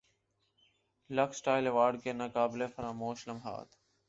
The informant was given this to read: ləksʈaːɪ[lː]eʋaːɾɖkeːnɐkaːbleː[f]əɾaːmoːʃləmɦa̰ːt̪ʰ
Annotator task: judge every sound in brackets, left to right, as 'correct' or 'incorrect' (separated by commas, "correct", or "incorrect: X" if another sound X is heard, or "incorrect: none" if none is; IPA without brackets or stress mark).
incorrect: l, correct